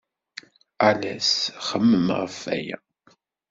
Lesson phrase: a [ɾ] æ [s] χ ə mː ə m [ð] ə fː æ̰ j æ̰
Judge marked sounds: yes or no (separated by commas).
no, yes, no